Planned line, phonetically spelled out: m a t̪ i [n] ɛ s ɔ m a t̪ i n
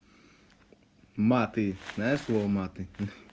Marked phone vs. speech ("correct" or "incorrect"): correct